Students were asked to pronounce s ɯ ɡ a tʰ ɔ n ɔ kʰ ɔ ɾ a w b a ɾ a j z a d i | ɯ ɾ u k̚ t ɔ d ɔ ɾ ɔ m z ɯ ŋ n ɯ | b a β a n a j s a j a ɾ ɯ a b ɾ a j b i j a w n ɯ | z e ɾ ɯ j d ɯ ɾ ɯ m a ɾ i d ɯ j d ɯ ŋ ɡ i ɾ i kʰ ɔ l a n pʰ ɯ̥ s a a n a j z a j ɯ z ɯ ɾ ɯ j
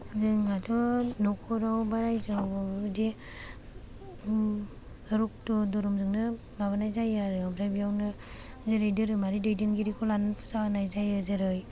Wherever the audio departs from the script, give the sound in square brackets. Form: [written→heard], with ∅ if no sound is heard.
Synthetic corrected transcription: [s→z] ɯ [ɡ→ŋ] a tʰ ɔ n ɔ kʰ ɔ ɾ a w b a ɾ a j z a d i | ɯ ɾ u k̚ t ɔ d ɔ ɾ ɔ m z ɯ ŋ n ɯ | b a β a n a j [s→z] a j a ɾ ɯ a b ɾ a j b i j a w n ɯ | z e ɾ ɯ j d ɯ ɾ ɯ m a ɾ i d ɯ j d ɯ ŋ ɡ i ɾ i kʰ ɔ l a n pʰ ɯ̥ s a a n a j z a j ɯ z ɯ ɾ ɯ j